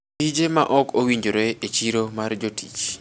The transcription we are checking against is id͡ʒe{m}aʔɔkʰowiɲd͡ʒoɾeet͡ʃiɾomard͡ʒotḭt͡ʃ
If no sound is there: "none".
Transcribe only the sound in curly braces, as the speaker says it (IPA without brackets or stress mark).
m